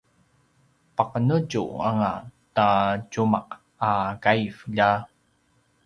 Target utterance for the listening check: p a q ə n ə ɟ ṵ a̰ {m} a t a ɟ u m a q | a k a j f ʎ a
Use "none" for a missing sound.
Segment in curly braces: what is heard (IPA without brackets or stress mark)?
ŋ